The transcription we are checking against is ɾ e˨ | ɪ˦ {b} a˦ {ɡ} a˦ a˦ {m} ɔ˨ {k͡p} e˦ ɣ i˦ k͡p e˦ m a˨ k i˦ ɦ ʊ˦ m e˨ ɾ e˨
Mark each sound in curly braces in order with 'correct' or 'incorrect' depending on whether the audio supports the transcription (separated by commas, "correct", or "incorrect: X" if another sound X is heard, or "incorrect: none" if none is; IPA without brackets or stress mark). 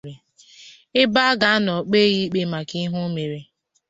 correct, correct, incorrect: n, correct